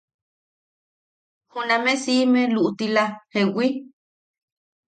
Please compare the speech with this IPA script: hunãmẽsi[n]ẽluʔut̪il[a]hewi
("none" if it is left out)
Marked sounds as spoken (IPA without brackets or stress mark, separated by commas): m, a